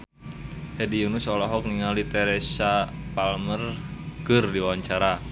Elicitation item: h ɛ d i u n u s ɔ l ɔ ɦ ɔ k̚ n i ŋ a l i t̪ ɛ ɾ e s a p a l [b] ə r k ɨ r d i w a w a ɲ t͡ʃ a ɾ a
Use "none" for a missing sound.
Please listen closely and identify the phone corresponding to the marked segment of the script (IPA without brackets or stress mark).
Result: m